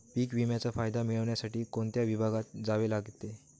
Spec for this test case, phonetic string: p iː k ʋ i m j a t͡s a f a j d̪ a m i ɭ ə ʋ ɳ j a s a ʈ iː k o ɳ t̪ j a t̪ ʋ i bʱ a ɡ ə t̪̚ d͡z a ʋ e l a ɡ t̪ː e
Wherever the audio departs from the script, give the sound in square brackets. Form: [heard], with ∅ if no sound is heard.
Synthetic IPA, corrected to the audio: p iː k ʋ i m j a t͡s a f a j d̪ a m i ɭ ə ʋ ɳ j a s a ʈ iː k o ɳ t̪ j a [∅] ʋ i bʱ a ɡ [a] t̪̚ d͡z a ʋ e l a ɡ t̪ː e